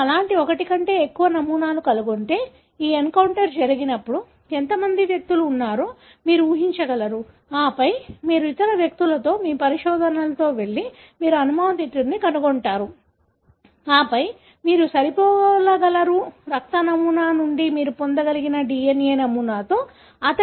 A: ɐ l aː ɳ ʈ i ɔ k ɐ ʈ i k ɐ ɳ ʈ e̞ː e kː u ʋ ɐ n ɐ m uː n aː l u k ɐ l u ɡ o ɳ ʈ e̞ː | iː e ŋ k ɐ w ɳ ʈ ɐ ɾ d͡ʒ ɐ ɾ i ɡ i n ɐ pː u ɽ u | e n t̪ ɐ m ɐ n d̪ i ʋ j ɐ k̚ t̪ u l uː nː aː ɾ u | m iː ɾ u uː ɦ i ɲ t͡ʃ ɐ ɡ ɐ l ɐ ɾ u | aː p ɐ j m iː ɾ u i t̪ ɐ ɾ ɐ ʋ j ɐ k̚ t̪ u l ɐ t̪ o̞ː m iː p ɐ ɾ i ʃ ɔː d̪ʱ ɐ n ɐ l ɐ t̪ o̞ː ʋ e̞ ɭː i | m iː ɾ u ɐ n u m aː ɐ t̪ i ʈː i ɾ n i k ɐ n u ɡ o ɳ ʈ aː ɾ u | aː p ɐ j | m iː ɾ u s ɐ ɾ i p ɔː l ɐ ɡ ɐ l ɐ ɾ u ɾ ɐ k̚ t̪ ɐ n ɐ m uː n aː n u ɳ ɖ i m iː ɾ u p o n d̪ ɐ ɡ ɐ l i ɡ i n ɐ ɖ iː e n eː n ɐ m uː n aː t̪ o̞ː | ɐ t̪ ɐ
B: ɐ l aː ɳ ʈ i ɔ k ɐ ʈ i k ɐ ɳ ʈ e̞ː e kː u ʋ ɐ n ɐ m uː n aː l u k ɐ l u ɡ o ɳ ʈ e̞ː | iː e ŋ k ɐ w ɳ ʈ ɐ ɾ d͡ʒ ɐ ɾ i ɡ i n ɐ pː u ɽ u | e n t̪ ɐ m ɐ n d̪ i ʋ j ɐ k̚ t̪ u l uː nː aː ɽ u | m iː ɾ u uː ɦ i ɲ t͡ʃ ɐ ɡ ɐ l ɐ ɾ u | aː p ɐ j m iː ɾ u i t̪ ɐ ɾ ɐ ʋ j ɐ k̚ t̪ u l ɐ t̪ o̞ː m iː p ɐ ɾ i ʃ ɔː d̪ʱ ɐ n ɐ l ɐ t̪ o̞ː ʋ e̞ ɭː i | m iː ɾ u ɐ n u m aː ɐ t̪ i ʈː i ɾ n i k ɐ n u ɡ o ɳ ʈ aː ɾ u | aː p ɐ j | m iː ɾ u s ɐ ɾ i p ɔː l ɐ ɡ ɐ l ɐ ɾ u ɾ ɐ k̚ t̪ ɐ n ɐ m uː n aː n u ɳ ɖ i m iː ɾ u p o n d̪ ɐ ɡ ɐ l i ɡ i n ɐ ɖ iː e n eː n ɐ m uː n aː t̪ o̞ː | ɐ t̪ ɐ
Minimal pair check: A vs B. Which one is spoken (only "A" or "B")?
A